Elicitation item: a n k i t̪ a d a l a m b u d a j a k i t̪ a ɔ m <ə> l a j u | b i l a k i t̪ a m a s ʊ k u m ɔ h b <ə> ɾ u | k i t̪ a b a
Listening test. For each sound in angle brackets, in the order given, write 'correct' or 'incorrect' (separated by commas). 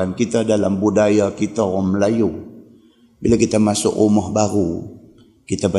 correct, incorrect